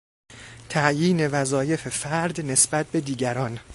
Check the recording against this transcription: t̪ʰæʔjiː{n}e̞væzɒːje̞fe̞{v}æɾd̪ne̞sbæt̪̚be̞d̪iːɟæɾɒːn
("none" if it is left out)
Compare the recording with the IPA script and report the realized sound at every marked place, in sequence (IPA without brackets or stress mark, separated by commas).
n, f